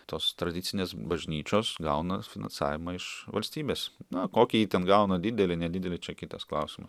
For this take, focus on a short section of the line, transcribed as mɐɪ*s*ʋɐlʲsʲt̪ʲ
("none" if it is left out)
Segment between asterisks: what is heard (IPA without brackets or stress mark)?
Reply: ʃ